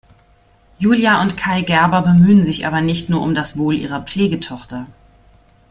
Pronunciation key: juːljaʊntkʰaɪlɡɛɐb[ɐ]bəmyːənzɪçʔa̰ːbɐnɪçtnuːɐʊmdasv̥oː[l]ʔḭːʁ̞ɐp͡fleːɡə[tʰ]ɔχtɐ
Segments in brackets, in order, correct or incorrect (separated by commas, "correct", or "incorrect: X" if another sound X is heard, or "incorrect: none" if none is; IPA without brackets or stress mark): correct, correct, correct